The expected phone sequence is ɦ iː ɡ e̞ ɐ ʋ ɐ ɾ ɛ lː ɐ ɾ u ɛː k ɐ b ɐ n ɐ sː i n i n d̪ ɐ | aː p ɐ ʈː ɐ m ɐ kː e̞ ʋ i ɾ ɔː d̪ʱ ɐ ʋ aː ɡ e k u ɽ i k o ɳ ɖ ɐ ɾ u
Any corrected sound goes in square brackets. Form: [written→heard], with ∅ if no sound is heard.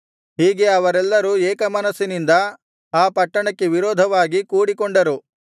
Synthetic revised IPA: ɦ iː ɡ e̞ ɐ ʋ ɐ ɾ ɛ lː ɐ ɾ u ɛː k ɐ [b→m] ɐ n ɐ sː i n i n d̪ ɐ | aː p ɐ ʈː ɐ [m→ɳ] ɐ kː e̞ ʋ i ɾ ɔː d̪ʱ ɐ ʋ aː ɡ [e→i] k [u→uː] ɽ i k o ɳ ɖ ɐ ɾ u